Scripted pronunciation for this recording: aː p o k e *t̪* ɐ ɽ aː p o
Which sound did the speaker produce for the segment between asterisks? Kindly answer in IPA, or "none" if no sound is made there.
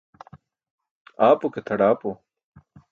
t̪ʰ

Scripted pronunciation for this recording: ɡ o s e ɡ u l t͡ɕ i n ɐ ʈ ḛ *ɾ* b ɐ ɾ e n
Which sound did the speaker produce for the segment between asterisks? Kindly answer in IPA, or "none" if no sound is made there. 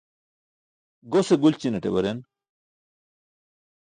none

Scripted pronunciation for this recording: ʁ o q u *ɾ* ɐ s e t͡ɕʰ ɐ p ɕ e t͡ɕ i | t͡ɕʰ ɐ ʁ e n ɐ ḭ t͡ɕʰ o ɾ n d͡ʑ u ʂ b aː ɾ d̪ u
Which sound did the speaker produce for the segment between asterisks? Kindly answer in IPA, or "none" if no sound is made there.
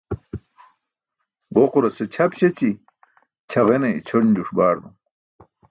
ɾ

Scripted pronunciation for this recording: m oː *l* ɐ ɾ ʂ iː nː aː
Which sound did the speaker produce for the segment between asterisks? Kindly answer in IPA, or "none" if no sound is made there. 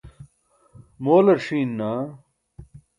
l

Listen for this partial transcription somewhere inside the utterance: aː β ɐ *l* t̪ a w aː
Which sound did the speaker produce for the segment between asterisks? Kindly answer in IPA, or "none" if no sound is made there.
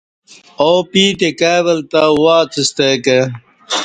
l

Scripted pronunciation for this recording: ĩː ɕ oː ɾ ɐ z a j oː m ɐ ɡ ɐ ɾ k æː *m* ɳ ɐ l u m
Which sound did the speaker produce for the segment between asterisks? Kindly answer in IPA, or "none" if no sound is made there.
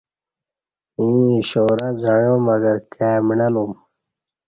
m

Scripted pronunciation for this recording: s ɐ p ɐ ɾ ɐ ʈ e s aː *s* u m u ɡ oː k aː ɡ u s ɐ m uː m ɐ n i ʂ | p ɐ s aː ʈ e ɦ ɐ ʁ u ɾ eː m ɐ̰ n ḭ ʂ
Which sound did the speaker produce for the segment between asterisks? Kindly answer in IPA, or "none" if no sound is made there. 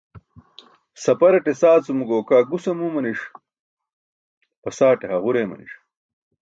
t͡s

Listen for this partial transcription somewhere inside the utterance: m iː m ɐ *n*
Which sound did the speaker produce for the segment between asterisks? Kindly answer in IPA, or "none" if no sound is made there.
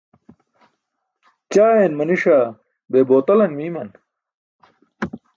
n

